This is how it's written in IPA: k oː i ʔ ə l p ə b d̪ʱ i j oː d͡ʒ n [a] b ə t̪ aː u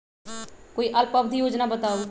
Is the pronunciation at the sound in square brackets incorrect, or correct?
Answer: correct